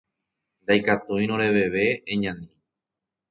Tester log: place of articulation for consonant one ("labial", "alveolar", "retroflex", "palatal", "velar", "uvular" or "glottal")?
alveolar